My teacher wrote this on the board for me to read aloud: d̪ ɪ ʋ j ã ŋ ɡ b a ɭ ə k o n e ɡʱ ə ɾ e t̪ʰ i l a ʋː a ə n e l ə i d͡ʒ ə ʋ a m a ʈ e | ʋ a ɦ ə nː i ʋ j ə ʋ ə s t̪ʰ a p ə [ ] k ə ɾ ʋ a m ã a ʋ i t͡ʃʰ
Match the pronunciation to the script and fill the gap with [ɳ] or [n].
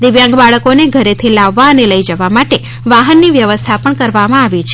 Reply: ɳ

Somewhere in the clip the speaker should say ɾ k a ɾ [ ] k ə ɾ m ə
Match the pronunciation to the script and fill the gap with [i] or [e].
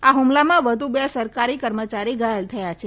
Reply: i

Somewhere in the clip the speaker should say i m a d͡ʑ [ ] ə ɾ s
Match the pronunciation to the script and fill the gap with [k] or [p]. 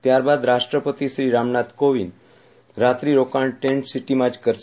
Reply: k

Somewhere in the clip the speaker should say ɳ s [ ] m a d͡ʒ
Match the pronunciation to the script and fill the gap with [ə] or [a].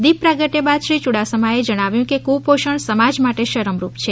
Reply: ə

